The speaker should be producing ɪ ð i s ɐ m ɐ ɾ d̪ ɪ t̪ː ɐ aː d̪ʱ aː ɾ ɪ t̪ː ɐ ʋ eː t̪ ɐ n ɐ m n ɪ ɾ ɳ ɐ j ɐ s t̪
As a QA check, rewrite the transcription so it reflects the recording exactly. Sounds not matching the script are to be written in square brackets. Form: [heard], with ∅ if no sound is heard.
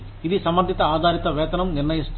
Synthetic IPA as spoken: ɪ ð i s ɐ m ɐ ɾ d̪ ɪ t̪ː ɐ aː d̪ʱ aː ɾ ɪ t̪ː ɐ ʋ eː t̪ ɐ n ɐ m n ɪ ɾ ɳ ɐ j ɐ s t̪